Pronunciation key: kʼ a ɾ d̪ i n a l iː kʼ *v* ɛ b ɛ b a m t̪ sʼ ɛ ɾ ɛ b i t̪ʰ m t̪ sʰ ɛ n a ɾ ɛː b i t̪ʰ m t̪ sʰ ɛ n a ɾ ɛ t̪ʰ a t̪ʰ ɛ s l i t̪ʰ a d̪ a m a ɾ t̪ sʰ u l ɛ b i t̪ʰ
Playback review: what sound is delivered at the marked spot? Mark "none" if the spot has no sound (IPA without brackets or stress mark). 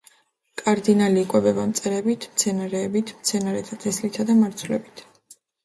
w